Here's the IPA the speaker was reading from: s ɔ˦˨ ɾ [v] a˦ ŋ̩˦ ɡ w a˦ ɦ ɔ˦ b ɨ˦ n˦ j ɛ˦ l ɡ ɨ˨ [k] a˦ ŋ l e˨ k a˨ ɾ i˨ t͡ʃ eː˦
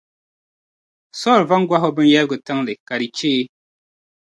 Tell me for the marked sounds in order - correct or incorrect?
correct, incorrect

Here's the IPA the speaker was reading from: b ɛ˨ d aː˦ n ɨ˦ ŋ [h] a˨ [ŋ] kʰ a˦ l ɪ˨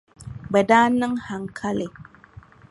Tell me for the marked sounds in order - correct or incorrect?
correct, correct

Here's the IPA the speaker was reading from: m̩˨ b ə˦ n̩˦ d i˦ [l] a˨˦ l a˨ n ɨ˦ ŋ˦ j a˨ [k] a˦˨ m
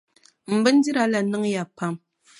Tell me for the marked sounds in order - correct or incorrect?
incorrect, incorrect

